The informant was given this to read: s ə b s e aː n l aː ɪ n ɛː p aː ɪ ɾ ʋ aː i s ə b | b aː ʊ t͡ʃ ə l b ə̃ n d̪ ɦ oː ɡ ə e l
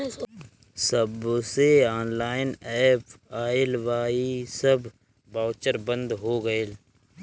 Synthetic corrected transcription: s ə b s e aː n l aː ɪ n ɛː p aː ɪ l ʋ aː i s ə b | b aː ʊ t͡ʃ ə ɾ b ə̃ n d̪ ɦ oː ɡ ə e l

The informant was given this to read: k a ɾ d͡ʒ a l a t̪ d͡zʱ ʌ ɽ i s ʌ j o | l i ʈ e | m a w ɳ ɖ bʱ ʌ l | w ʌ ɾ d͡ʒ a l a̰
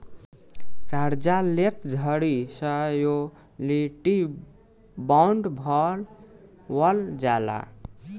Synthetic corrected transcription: k a ɾ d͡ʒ a l e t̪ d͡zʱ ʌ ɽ i s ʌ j o | l i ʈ i | b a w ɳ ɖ bʱ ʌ l | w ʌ l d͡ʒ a l a̰

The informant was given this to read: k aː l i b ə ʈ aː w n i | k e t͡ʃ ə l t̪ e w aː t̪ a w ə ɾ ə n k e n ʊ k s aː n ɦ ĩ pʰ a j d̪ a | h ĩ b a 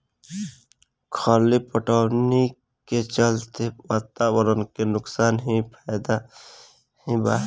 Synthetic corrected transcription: kʰ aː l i p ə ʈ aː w n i | k e t͡ʃ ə l t̪ e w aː t̪ a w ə ɾ ə n k e n ʊ k s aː n ɦ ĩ pʰ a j d̪ a | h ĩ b a

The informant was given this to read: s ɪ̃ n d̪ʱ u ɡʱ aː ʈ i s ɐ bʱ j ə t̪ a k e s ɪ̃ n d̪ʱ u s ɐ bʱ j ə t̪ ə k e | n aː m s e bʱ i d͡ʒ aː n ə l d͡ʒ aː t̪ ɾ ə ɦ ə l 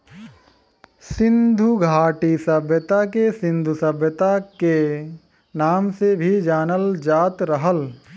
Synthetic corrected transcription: s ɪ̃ n d̪ʱ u ɡʱ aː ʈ i s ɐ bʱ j ə t̪ a k e s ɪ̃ n d̪ʱ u s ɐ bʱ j ə t̪ a k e | n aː m s e bʱ i d͡ʒ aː n ə l d͡ʒ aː t̪ ɾ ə ɦ ə l

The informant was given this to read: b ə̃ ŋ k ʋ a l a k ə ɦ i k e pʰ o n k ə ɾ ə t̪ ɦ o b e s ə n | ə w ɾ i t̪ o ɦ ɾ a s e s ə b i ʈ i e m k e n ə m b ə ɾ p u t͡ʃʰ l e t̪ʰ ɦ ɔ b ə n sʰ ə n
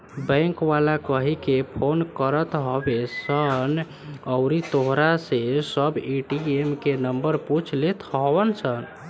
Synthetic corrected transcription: b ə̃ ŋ k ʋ a l a k ə ɦ i k e pʰ o n k ə ɾ ə t̪ ɦ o b e s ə n | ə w ɾ i t̪ o ɦ ɾ a s e s ə b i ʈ i e m k e n ə m b ə ɾ p u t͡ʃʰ l e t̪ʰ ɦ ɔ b ə n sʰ ə n

